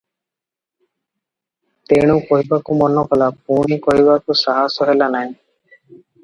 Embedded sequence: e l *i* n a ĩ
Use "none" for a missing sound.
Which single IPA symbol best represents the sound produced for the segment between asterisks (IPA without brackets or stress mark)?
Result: a